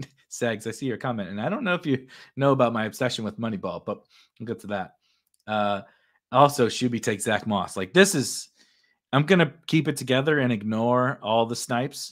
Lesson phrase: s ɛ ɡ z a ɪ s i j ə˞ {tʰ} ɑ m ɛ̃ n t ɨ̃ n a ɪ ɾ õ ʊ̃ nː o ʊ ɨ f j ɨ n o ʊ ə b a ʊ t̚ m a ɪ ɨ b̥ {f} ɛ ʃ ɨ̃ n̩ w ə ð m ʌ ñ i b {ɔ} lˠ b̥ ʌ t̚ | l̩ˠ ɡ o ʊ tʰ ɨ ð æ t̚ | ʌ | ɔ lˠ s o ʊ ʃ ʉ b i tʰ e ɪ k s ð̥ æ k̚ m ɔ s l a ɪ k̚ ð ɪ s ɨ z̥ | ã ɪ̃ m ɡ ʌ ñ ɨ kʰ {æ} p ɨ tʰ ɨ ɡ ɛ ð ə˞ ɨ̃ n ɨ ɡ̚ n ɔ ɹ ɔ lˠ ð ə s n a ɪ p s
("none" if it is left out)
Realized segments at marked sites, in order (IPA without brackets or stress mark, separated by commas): kʰ, s, ɔ, i